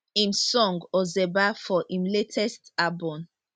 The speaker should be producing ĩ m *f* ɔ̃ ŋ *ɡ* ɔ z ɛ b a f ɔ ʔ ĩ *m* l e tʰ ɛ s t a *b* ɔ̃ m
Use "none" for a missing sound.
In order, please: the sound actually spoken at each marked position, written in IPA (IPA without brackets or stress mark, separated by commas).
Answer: s, ɡ, m, b